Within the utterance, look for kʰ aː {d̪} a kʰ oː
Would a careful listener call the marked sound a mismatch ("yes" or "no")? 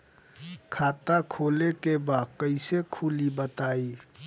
yes